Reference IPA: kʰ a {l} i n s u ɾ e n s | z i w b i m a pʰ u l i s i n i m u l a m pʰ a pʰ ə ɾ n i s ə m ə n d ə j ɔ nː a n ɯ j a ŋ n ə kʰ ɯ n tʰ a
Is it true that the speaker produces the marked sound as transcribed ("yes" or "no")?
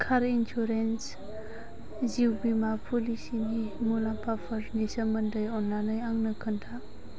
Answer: no